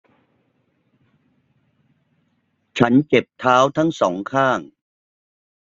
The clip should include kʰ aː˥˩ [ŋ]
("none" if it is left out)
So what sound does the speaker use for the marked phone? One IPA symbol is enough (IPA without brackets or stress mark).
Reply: ŋ